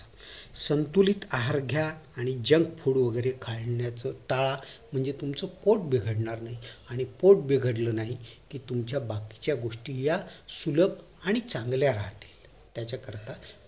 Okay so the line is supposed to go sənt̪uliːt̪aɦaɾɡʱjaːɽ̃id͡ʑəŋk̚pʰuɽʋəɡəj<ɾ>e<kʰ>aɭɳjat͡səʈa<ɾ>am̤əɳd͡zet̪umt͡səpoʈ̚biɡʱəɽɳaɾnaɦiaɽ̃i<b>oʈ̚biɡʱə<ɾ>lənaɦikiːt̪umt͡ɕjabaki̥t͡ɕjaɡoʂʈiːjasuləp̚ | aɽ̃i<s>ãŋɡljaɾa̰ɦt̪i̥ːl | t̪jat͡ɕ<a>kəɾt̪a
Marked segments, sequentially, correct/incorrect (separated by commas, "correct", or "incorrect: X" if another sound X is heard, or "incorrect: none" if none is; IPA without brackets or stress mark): correct, correct, incorrect: ɭ, incorrect: p, incorrect: ɽ, incorrect: t͡s, correct